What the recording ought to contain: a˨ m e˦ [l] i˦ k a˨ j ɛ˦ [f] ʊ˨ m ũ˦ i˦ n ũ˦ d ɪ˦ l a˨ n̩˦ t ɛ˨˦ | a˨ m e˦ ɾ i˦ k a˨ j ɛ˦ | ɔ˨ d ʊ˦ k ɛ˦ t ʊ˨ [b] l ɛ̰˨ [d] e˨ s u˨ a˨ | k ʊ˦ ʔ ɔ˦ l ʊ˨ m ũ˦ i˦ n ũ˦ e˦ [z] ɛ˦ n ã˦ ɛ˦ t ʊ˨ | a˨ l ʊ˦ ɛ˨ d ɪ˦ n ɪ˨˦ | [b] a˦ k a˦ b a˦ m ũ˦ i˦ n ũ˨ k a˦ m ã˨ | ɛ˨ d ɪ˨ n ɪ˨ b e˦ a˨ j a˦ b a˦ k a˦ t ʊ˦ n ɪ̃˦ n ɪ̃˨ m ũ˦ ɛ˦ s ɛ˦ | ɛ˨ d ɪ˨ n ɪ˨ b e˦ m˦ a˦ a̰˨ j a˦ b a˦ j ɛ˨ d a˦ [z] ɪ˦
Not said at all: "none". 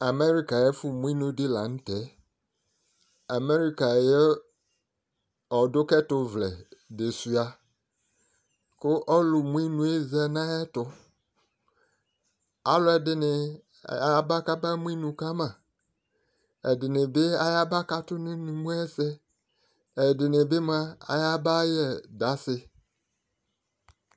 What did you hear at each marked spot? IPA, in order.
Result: ɾ, f, v, d, z, b, s

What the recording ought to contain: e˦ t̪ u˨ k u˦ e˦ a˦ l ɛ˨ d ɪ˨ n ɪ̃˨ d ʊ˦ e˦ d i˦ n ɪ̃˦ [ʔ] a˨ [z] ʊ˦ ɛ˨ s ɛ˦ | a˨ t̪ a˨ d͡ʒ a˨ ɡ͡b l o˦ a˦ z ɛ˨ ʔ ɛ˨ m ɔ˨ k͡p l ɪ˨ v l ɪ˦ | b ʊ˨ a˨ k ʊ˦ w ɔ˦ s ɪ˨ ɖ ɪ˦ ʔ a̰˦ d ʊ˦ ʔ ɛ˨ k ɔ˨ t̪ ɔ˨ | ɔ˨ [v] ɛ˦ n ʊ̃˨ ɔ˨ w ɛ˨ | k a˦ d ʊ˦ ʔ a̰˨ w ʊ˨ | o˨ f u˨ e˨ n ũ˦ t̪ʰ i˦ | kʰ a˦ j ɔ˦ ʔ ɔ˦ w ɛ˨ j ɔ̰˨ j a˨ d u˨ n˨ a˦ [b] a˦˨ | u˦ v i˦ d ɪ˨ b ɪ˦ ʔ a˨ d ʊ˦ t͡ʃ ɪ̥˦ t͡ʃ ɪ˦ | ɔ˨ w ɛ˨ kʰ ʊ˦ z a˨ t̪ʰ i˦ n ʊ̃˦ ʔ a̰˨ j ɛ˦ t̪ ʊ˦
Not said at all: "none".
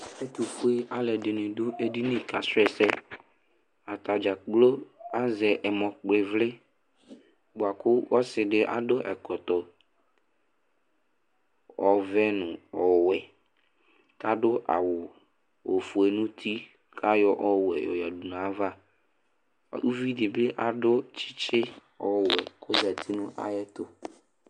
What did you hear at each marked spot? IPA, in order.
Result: k, s, v, v

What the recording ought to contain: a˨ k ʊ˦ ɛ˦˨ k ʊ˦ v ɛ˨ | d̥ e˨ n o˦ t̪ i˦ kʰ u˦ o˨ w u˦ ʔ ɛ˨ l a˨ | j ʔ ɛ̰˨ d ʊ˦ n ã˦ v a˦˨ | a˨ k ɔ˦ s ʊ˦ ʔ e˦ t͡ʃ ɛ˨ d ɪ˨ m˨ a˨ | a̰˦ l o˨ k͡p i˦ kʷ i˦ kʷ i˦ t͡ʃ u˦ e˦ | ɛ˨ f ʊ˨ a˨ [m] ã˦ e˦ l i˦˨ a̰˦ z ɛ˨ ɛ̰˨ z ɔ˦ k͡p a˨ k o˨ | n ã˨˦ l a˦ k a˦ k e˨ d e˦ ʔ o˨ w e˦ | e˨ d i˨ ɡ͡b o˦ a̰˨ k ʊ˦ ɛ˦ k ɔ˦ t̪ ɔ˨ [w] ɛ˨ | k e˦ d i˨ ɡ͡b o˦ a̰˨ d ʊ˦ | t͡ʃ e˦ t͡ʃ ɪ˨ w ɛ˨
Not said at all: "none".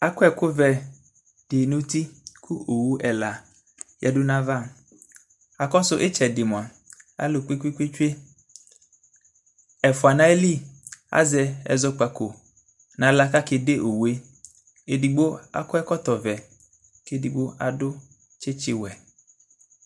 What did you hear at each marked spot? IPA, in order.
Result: n, v

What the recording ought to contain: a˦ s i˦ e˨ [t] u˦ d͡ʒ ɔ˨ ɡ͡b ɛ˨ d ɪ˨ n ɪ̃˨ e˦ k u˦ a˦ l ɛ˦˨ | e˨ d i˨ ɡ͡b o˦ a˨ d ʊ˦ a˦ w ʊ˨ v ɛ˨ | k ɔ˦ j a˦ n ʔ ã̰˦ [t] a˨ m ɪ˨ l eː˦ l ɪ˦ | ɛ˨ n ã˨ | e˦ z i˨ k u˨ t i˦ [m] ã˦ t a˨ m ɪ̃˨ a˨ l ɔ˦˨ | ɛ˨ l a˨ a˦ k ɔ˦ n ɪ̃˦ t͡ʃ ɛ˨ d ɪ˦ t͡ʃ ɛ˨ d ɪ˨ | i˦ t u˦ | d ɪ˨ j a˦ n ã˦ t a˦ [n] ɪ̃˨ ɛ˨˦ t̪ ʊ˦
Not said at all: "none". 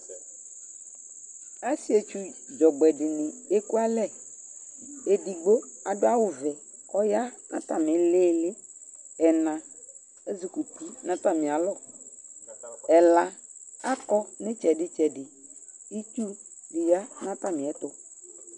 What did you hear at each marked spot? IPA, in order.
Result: t͡ʃ, t, n, m

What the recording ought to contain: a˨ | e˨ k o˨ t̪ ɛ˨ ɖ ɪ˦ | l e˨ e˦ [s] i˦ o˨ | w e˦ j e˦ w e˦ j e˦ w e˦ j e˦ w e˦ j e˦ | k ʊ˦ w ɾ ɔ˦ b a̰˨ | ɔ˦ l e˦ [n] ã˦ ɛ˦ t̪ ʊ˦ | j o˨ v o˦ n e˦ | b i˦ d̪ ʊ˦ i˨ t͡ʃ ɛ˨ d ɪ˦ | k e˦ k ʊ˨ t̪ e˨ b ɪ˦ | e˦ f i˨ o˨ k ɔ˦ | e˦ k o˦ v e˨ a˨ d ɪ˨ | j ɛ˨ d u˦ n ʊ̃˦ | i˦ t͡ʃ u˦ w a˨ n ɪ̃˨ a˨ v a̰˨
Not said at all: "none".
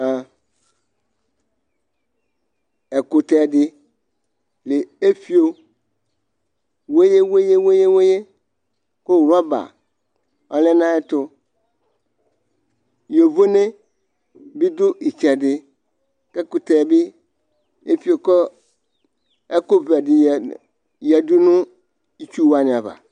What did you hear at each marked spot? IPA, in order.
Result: f, n

